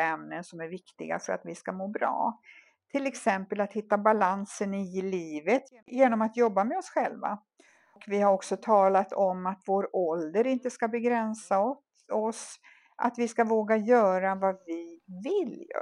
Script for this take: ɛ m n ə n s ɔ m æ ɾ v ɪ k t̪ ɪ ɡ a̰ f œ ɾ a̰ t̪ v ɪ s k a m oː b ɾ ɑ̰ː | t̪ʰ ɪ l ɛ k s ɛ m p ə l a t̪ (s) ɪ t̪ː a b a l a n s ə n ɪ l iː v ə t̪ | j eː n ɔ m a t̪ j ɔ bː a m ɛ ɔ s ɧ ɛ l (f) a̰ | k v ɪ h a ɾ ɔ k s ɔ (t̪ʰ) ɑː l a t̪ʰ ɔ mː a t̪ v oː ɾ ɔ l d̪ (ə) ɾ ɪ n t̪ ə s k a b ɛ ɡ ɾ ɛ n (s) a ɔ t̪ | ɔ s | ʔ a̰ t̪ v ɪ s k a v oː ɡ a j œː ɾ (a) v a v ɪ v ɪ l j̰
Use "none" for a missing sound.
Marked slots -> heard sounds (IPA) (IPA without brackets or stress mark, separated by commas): h, v, t̪ʰ, ə, s, a